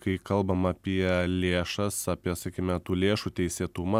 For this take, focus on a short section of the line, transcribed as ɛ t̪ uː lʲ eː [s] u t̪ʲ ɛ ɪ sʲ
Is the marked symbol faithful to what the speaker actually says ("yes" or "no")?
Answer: no